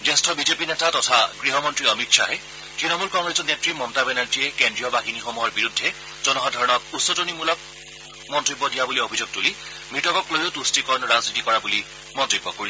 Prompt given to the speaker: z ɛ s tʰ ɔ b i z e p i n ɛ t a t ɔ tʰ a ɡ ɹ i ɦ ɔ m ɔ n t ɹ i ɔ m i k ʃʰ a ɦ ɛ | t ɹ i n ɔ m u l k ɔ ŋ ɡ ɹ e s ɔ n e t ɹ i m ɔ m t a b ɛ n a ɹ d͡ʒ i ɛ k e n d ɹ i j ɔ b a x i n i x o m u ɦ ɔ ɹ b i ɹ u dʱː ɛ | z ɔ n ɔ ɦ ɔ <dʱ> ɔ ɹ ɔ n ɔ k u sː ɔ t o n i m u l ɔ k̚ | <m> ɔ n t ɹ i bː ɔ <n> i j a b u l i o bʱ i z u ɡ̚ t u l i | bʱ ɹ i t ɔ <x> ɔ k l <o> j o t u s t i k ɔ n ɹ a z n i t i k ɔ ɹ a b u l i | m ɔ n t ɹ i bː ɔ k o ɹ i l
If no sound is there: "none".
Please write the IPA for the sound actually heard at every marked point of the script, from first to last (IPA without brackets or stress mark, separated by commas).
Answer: dʱ, m, d, k, o